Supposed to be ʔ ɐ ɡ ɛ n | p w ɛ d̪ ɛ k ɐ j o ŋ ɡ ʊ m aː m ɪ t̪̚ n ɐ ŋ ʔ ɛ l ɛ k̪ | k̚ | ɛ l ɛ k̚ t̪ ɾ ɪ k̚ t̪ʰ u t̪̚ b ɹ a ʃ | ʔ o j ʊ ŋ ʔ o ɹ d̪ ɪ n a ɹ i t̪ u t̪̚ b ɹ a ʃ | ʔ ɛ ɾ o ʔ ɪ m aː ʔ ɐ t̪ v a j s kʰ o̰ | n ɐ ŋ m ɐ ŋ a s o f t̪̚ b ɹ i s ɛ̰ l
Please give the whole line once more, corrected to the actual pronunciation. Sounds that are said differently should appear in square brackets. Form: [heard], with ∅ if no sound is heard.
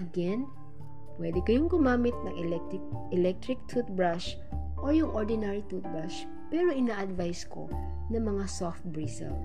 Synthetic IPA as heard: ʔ ɐ ɡ ɛ n | p w ɛ d̪ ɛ k ɐ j o ŋ ɡ ʊ m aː m ɪ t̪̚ n ɐ ŋ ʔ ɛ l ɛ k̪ | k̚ | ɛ l ɛ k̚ t̪ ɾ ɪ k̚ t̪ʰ u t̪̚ b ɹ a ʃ | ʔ o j ʊ ŋ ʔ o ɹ d̪ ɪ n a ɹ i t̪ u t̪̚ b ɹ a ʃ | [p] ɛ ɾ o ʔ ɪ [n] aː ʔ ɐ [d̪] v a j s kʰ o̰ | n ɐ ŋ m ɐ ŋ a s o f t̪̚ b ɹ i s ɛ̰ l